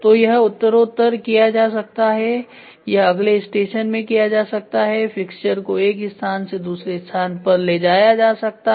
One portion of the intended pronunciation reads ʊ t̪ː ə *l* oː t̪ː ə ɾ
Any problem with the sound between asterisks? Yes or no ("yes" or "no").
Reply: yes